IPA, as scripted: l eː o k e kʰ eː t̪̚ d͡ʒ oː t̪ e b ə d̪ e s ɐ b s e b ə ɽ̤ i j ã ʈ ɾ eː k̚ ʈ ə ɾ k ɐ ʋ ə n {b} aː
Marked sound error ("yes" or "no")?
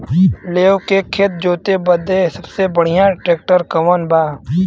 no